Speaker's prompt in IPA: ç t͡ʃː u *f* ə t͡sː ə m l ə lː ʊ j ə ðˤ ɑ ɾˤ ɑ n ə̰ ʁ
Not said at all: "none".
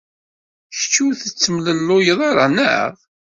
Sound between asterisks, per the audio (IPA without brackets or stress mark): θ